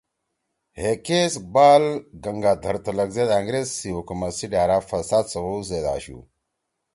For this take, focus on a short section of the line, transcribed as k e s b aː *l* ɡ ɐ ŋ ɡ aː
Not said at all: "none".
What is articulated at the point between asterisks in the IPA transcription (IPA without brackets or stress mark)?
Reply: l